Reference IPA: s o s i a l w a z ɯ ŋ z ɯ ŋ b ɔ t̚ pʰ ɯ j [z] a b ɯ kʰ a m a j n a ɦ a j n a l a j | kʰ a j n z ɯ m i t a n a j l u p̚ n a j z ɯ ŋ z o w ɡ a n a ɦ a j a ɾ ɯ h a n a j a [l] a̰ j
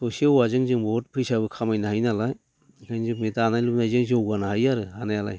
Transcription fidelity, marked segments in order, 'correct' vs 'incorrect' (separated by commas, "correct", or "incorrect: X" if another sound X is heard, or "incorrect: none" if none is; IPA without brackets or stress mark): incorrect: s, correct